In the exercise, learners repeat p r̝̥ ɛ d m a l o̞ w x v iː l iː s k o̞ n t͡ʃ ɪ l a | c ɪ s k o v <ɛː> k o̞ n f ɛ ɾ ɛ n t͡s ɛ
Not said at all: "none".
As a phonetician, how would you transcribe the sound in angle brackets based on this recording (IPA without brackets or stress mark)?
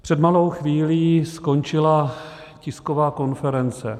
aː